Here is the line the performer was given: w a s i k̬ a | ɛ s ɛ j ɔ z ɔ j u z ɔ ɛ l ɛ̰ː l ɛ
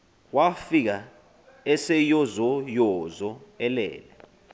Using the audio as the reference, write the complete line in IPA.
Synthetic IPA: w a f i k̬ a | ɛ s ɛ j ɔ z ɔ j ɔ z ɔ ɛ l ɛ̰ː l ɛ